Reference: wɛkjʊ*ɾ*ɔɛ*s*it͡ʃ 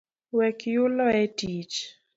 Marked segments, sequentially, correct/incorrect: incorrect: l, incorrect: t

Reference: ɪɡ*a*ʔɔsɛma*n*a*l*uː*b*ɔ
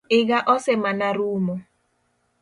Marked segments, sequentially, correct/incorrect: correct, correct, incorrect: ɾ, incorrect: m

